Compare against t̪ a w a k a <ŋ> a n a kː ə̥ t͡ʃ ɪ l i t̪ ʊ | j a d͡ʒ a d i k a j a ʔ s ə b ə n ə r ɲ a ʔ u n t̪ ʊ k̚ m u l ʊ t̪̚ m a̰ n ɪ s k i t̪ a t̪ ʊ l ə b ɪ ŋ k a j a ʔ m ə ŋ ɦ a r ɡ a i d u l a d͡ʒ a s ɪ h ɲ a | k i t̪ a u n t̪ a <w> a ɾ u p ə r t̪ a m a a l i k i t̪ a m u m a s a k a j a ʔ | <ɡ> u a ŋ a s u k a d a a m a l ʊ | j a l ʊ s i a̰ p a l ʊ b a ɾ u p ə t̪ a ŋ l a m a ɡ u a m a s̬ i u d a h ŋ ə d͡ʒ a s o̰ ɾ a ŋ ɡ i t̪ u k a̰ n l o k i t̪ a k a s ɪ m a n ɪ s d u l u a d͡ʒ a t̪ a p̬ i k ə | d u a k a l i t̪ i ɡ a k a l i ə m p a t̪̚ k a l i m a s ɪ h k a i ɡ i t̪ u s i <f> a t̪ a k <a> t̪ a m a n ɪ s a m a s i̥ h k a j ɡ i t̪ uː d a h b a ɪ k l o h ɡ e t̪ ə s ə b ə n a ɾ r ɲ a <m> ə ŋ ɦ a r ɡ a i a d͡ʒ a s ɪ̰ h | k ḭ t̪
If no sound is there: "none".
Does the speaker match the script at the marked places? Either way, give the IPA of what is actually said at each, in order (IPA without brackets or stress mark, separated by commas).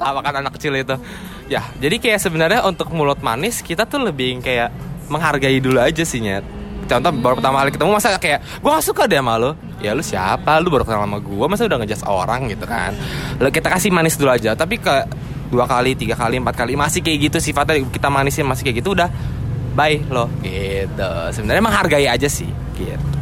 n, b, ɡ, f, i, m